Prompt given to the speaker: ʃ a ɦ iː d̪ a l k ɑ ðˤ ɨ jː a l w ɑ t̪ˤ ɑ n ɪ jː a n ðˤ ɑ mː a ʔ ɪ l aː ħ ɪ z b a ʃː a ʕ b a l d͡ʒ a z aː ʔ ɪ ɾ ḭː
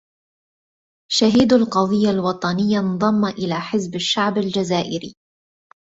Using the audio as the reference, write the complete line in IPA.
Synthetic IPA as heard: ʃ a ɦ iː d̪ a l q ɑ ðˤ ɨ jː a l w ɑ t̪ˤ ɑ n ɪ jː a n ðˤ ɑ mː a ʔ ɪ l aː ħ ɪ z b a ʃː a ʕ b a l d͡ʒ a z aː ʔ ɪ ɾ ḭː